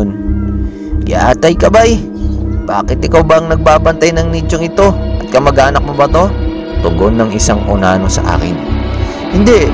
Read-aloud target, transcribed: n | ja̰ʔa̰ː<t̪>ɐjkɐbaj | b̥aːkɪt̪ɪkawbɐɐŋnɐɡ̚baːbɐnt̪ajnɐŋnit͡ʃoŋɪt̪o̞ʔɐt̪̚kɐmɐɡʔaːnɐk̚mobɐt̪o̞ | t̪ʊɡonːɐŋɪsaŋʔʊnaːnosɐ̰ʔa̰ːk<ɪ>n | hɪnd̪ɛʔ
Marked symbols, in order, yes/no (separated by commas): yes, yes